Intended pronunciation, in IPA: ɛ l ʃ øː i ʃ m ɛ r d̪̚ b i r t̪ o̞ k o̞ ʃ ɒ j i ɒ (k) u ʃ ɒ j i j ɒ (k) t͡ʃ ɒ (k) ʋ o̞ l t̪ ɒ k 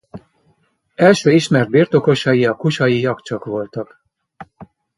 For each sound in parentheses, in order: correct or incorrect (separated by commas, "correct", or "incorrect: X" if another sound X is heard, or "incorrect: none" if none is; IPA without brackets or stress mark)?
correct, correct, correct